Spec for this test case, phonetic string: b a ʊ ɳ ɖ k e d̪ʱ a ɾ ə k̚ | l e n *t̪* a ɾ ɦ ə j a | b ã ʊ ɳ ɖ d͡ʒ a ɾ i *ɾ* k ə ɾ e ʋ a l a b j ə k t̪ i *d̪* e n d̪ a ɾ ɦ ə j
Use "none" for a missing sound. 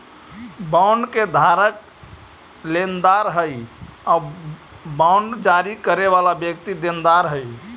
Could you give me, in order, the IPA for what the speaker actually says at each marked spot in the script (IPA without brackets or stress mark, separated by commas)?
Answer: d̪, none, d̪